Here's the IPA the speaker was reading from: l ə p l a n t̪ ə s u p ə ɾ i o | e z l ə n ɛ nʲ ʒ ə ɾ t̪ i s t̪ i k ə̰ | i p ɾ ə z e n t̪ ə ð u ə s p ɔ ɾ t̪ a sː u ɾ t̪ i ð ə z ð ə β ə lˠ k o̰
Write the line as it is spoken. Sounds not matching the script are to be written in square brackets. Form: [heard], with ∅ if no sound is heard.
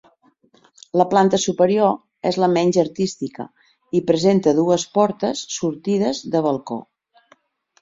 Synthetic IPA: l ə p l a n t̪ ə s u p ə ɾ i o | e z l ə [m] ɛ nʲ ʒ ə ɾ t̪ i s t̪ i k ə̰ | i p ɾ ə z e n t̪ ə ð u ə s p ɔ ɾ t̪ [ə] sː u ɾ t̪ i ð ə z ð ə β ə lˠ k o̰

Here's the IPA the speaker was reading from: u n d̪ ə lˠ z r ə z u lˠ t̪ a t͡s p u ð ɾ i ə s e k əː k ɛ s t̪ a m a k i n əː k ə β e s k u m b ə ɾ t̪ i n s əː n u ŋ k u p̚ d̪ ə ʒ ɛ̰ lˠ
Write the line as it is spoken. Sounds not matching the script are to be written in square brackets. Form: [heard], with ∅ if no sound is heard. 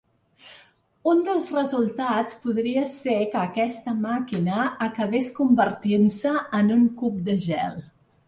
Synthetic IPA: u n d̪ ə lˠ z r ə z u lˠ t̪ a t͡s p u ð ɾ i ə s e k əː k ɛ s t̪ [ə] m a k i n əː k ə β e s k u m b ə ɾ t̪ i n s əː n u ŋ k u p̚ d̪ ə ʒ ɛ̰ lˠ

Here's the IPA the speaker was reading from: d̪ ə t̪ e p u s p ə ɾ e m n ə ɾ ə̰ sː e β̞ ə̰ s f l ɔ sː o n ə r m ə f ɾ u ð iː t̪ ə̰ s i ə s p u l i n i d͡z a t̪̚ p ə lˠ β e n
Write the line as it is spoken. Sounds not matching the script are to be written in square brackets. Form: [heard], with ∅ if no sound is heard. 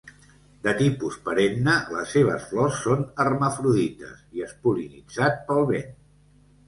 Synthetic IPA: d̪ ə t̪ [i] p u s p ə ɾ e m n ə [l] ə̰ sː e β̞ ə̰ s f l ɔ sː o n ə r m ə f ɾ u ð [i] t̪ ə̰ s i ə s p u l i n i d͡z a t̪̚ p ə lˠ β e n

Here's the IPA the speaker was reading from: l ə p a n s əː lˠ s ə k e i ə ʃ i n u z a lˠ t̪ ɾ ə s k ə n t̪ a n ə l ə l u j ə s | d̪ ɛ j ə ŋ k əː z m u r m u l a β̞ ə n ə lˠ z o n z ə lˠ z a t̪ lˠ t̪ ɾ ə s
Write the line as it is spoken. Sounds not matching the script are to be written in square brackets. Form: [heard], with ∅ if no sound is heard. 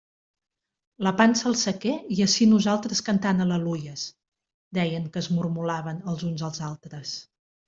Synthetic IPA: l ə p a n s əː lˠ s ə k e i ə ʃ i n u z a lˠ t̪ ɾ ə s k ə n t̪ a n ə l ə l u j ə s | d̪ ɛ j ə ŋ k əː z m u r m u l a β̞ ə n ə lˠ z [u] n z ə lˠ z a [∅] lˠ t̪ ɾ ə s

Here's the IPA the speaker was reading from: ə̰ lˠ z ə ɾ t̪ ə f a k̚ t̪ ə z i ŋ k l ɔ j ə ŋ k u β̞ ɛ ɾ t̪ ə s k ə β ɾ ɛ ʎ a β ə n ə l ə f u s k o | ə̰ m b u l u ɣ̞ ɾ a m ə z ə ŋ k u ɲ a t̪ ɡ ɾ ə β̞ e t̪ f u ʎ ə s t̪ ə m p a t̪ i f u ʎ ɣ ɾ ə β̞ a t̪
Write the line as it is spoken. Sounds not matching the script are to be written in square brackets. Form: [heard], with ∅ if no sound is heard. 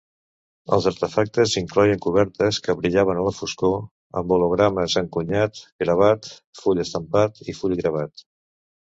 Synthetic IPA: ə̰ lˠ z ə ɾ t̪ ə f a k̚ t̪ ə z i ŋ k l ɔ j ə ŋ k u β̞ ɛ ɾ t̪ ə s k ə β ɾ [i] ʎ a β ə n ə l ə f u s k o | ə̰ m b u l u ɣ̞ ɾ a m ə z ə ŋ k u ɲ a t̪ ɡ ɾ ə β̞ [a] t̪ f u ʎ ə s t̪ ə m p a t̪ i f u ʎ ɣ ɾ ə β̞ a t̪

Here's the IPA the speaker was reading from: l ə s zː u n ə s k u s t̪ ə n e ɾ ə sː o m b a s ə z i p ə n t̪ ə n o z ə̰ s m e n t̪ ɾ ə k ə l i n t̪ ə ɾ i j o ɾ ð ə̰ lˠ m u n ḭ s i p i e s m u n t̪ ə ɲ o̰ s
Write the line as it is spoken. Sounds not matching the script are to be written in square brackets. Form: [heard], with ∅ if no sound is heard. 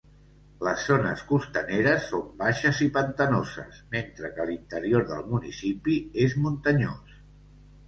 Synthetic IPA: l ə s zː [o] n ə s k u s t̪ ə n e ɾ ə sː o m b a [ʃ] ə z i p ə n t̪ ə n o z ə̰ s m e n t̪ ɾ ə k ə l i n t̪ ə ɾ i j o ɾ ð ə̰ lˠ m u n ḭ s i p i e [z] m u n t̪ ə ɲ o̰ s

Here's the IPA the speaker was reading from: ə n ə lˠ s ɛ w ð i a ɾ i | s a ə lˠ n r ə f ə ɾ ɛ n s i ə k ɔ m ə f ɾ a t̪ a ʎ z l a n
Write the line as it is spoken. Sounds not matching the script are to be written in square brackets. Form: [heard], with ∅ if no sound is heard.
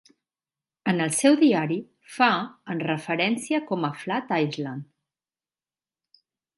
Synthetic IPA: ə n ə lˠ s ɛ w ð i a ɾ i | [f] a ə [∅] n r ə f ə ɾ ɛ n s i ə k ɔ m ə f [l] a t̪ a [j] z l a n

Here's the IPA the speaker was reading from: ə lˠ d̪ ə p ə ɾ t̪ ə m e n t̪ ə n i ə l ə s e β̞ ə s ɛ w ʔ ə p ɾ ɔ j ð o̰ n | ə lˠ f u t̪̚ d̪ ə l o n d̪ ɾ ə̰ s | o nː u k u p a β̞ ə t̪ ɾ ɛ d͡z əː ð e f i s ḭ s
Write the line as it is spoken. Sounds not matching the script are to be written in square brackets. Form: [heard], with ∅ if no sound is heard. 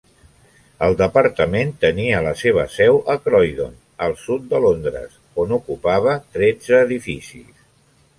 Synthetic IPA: ə lˠ d̪ ə p ə ɾ t̪ ə m e n t̪ ə n i ə l ə s e β̞ ə s ɛ w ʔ ə [k] ɾ ɔ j ð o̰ n | ə lˠ [s] u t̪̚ d̪ ə l o n d̪ ɾ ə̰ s | o [n] u k u p a β̞ ə t̪ ɾ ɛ d͡z əː ð [i] f i s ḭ s

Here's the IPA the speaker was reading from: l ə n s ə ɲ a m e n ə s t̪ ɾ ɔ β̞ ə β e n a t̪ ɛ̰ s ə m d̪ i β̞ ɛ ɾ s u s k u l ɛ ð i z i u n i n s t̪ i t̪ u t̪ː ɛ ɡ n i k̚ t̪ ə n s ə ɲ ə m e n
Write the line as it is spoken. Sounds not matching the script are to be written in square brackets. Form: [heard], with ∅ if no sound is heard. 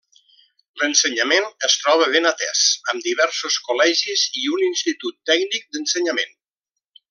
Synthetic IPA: l ə n s ə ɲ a m e n ə s t̪ ɾ ɔ β̞ ə β e n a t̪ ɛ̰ s ə m d̪ i β̞ ɛ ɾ s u s k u l ɛ [ʒ] i z i u n i n s t̪ i t̪ u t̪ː ɛ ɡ n i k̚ [d̪] ə n s ə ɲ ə m e n

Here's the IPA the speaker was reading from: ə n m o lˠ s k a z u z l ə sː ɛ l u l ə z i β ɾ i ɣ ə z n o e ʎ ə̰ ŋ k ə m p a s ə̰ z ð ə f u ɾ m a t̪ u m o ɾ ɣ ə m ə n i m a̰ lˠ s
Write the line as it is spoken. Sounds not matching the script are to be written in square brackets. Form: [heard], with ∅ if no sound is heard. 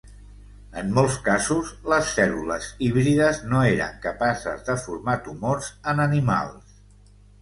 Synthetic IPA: ə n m o lˠ s k a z u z l ə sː ɛ l u l ə z i β ɾ i [ð] ə z n o e [ɾ] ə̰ ŋ k ə [∅] p a s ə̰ z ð ə f u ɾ m a t̪ u m o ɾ [z] ə [n] ə n i m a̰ lˠ s

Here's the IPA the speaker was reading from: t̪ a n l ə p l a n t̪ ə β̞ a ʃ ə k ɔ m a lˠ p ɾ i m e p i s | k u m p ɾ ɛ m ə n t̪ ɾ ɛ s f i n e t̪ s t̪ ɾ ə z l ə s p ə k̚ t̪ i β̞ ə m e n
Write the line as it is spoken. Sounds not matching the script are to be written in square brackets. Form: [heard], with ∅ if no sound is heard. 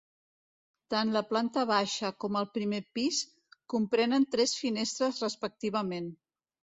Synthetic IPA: t̪ a n l ə p l a n t̪ ə β̞ a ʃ ə k ɔ m [ə] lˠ p ɾ i m e p i s | k u m p ɾ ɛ [n] ə n t̪ ɾ ɛ s f i n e [∅] s t̪ ɾ ə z [r] ə s p ə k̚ t̪ i β̞ ə m e n

